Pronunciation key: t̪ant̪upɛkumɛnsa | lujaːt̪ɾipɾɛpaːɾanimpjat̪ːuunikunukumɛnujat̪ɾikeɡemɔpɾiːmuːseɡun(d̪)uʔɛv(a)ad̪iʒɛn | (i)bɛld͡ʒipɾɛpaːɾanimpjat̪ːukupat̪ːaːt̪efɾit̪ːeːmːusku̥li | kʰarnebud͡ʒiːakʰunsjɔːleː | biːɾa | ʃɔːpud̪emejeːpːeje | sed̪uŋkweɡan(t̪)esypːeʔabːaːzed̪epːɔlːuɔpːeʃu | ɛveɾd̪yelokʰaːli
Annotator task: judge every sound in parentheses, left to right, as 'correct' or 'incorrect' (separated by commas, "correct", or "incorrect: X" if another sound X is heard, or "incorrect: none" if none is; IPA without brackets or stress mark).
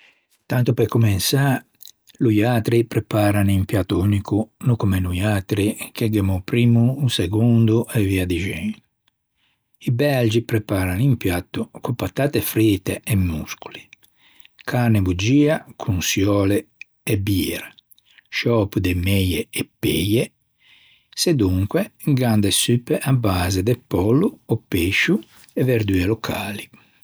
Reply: correct, incorrect: i, correct, incorrect: d̪